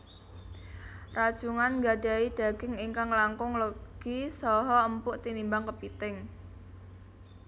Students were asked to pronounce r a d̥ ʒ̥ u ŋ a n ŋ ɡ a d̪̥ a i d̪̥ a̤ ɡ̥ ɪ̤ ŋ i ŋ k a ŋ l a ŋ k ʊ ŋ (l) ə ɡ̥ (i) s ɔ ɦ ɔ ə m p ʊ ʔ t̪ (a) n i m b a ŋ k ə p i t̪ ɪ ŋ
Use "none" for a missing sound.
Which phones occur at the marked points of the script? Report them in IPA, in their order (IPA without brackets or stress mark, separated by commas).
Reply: l, i, i